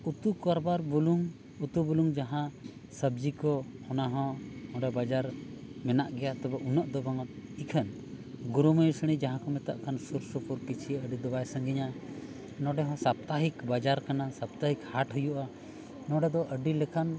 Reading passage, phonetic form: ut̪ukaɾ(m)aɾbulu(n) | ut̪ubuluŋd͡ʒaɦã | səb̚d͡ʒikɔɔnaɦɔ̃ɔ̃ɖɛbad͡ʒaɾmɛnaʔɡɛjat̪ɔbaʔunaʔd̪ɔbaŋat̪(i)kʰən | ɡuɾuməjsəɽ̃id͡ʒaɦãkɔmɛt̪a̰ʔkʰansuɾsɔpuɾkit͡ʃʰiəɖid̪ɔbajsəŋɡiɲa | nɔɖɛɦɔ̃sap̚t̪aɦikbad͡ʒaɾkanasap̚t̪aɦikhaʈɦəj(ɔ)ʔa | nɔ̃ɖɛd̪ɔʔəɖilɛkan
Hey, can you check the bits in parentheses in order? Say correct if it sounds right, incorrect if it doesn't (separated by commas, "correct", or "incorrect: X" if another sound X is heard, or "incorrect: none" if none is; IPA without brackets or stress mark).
incorrect: b, incorrect: ŋ, correct, incorrect: u